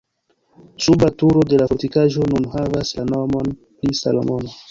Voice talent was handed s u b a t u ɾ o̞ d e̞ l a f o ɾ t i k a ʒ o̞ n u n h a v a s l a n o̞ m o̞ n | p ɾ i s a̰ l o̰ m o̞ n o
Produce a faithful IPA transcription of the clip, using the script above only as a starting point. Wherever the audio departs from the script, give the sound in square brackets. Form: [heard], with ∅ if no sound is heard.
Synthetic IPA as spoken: s u b a t u ɾ o̞ d e̞ l a f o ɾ t i k a ʒ o̞ n u n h a v a s l a n o̞ m o̞ n | p ɾ i s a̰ l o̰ m o̞ n o